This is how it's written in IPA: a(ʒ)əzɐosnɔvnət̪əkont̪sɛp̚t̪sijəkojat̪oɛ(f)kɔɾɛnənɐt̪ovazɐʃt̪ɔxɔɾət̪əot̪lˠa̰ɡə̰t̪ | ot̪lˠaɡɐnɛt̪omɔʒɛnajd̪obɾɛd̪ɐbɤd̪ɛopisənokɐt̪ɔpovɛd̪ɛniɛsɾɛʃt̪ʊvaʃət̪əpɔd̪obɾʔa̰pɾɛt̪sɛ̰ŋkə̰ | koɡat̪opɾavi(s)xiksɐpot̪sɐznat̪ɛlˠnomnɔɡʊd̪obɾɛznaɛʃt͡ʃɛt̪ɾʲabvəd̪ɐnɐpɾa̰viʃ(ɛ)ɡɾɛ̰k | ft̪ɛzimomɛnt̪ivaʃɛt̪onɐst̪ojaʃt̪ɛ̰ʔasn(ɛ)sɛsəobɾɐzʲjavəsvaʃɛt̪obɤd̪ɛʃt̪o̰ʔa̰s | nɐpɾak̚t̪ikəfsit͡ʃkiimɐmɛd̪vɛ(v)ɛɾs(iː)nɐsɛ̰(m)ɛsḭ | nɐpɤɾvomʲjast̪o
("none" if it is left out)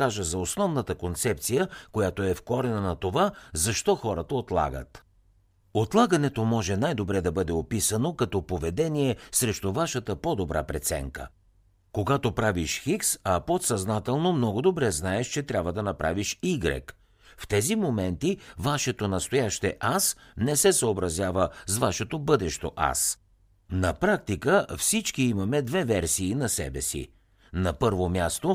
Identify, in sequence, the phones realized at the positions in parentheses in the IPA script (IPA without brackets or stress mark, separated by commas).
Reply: ʒ, f, ʃ, i, ɛ, v, iː, b